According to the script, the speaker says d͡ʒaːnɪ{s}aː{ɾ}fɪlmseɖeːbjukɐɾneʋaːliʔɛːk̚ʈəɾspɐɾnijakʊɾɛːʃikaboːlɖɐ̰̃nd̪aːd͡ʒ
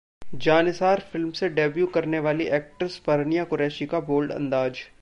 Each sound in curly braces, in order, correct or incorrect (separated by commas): correct, correct